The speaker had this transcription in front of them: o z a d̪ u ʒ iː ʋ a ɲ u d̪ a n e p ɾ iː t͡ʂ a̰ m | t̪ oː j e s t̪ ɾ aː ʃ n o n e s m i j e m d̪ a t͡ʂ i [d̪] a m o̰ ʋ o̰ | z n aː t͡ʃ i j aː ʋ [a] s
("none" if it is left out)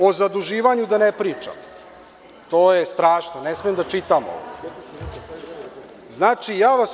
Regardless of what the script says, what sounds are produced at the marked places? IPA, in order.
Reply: t̪, a

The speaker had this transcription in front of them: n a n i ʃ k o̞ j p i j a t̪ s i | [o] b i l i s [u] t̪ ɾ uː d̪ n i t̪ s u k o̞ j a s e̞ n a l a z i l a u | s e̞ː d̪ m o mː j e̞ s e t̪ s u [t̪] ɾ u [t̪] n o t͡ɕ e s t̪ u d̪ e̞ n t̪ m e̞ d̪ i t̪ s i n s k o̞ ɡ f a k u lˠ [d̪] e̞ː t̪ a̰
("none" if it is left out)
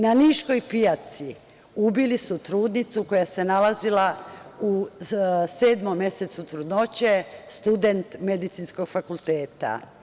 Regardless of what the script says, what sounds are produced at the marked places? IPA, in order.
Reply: u, u, t̪, d̪, t̪

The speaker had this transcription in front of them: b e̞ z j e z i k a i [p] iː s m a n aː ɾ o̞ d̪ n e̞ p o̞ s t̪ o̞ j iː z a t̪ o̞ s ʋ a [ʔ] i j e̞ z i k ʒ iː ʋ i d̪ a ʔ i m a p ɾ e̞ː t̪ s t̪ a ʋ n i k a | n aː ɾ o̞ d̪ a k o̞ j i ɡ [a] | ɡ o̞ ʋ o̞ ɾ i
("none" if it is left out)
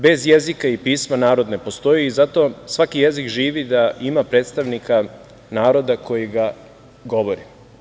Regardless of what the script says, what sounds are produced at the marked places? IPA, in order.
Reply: p, k, a

